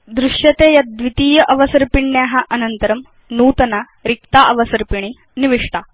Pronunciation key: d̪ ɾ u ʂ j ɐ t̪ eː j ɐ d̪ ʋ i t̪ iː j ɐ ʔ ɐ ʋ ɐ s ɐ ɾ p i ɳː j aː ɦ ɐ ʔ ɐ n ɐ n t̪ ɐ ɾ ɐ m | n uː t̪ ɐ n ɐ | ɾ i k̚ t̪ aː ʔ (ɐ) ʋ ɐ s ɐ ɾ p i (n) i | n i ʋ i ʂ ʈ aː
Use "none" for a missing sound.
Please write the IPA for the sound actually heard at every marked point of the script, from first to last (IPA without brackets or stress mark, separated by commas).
ɐ, ɳ